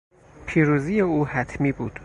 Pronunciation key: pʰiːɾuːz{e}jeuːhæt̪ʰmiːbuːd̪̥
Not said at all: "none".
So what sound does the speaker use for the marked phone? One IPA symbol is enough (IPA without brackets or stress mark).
i